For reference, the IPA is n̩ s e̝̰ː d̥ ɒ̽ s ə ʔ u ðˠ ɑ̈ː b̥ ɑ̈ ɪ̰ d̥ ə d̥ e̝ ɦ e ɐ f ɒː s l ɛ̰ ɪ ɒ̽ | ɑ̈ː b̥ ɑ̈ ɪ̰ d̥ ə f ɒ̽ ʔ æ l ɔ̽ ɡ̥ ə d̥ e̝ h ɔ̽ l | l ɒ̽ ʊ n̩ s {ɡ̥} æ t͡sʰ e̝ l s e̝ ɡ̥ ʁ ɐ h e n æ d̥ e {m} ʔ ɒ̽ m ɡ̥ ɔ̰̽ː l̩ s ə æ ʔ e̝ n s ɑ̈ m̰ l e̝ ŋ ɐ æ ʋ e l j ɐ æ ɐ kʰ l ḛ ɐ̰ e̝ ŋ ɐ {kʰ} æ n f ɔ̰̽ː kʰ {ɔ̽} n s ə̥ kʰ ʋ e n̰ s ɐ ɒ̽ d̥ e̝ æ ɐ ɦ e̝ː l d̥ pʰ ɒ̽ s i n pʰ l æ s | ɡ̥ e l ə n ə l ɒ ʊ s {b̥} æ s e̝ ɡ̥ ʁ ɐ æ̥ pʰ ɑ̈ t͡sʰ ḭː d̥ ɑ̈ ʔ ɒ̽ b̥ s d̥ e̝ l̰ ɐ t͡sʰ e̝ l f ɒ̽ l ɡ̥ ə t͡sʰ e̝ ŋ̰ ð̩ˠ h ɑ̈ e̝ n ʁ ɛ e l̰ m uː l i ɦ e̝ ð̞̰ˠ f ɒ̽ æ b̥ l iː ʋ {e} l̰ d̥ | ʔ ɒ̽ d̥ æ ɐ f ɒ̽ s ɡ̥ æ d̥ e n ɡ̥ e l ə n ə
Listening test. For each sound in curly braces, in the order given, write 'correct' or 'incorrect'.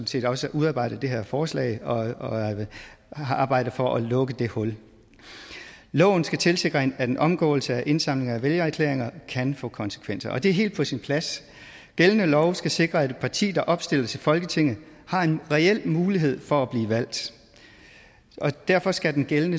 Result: correct, incorrect: n, correct, incorrect: ɒ̽, incorrect: ɡ̥, incorrect: æ

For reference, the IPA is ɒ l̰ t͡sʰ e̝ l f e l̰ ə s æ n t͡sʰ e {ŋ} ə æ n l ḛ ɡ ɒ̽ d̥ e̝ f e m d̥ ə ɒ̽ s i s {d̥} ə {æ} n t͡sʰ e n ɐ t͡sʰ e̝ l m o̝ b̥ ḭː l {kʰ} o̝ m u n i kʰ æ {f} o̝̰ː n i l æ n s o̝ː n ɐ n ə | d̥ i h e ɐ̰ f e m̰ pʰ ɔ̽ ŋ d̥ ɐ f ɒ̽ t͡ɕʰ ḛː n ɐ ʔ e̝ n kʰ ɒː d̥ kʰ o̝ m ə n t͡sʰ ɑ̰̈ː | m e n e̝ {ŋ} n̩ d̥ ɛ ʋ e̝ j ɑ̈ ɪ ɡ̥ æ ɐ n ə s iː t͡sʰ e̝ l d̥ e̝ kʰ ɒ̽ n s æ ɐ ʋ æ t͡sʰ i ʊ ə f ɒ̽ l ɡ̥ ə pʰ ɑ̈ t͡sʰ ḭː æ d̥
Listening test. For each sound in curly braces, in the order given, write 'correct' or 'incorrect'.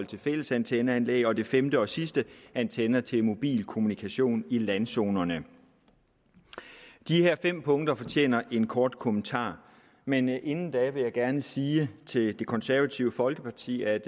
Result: incorrect: n, correct, correct, correct, incorrect: ɕ, incorrect: n

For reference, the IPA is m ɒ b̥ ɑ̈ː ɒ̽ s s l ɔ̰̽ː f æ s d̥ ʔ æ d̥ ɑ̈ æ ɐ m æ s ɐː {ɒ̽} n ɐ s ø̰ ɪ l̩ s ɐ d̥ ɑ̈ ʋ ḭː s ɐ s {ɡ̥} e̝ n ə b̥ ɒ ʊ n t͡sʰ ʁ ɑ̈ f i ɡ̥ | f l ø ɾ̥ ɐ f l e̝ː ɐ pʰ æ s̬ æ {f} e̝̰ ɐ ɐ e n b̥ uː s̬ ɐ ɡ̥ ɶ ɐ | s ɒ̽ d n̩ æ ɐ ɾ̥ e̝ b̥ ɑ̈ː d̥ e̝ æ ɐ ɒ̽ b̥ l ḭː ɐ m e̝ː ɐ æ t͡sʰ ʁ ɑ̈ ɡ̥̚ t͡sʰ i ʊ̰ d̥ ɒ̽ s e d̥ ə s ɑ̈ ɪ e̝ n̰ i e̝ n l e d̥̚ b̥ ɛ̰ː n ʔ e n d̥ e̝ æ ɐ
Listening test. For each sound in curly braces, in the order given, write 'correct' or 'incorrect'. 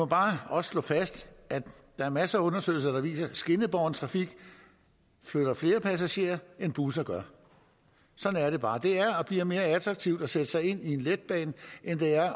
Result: incorrect: ɔ̽, correct, incorrect: ɕ

